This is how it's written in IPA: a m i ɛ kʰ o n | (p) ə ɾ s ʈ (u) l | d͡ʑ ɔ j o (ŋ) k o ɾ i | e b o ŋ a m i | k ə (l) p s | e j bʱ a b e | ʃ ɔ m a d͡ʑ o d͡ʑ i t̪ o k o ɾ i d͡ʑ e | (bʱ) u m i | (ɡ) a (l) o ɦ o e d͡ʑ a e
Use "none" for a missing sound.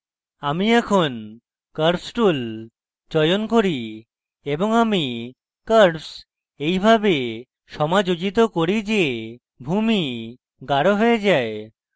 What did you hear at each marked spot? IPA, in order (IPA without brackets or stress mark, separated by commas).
k, u, n, ɾ, bʱ, ɡ, ɾ